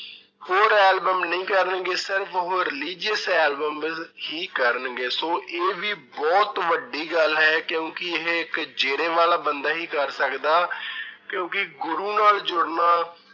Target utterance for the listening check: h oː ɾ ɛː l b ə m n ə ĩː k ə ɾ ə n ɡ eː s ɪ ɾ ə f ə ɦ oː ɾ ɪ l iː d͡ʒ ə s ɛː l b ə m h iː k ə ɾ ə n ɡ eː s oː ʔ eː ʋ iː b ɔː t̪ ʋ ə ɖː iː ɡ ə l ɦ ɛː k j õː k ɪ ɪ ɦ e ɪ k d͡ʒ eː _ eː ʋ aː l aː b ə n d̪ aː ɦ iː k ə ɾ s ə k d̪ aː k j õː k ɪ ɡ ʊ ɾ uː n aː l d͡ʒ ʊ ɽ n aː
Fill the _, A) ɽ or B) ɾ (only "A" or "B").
B